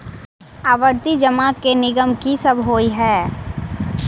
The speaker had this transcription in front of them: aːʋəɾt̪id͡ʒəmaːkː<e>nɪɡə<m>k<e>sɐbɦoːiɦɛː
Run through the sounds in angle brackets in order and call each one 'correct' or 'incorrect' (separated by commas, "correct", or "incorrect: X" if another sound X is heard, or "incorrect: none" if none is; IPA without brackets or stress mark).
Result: correct, correct, incorrect: i